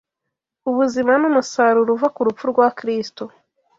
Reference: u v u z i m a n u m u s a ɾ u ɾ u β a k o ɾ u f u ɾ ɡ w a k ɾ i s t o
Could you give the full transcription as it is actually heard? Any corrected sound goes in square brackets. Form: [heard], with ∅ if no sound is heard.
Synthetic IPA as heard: u [β] u z i m a n u m u s a ɾ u ɾ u [v] a k [u] ɾ u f u ɾ ɡ w a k ɾ i s t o